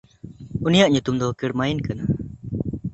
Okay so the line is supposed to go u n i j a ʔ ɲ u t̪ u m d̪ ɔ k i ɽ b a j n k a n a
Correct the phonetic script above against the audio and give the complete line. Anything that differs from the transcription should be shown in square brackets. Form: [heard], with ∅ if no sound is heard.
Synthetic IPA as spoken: u n i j a ʔ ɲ u t̪ u m d̪ ɔ k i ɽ [m] a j n k a n a